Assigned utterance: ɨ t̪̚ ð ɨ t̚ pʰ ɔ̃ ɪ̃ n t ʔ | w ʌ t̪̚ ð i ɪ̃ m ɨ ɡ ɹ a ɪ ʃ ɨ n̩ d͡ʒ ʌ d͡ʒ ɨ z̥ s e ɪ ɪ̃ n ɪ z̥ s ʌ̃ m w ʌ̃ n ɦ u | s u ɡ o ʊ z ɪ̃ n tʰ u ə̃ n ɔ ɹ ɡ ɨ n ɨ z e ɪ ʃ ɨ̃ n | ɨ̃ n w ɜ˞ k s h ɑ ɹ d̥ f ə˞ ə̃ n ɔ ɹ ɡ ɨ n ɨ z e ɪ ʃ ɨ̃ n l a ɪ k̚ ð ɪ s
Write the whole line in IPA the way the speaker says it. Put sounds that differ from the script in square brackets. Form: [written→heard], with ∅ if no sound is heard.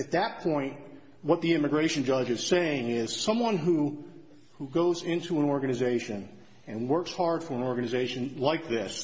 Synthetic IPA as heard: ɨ t̪̚ ð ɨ t̚ pʰ ɔ̃ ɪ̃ n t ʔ | w ʌ t̪̚ ð i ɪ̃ m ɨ ɡ ɹ [a→e] ɪ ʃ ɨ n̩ d͡ʒ ʌ d͡ʒ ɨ z̥ s e ɪ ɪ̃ [n→ŋ] ɪ z̥ s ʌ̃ m w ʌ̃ n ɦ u | [s→h] u ɡ o ʊ z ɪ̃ n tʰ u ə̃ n ɔ ɹ ɡ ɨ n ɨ z e ɪ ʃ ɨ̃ n | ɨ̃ n w ɜ˞ k s h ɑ ɹ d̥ f ə˞ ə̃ n ɔ ɹ ɡ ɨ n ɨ z e ɪ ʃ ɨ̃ n l a ɪ k̚ ð ɪ s